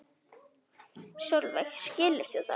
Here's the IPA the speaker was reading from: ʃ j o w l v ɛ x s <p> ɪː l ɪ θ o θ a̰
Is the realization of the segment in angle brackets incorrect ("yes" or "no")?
yes